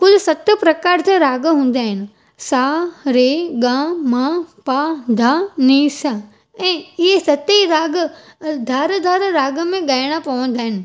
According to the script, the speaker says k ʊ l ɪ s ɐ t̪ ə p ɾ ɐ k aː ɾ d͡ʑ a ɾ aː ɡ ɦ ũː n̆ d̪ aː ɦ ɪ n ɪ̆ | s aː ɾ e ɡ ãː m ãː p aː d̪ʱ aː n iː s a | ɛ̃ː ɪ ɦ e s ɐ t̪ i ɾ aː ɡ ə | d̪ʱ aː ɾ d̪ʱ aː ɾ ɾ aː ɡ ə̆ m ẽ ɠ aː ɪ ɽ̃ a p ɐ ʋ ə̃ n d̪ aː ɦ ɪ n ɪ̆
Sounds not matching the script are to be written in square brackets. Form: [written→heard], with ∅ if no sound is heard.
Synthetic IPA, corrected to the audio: k ʊ l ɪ s ɐ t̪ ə p ɾ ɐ k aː ɾ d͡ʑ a ɾ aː ɡ ɦ ũː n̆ d̪ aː ɦ ɪ n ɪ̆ | s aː ɾ e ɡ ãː m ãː p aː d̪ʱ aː n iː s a | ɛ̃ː ɪ ɦ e s ɐ t̪ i ɾ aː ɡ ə | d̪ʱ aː ɾ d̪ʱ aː ɾ ɾ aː ɡ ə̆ m ẽ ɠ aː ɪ ɽ̃ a p ɐ ʋ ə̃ n d̪ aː ɦ ɪ n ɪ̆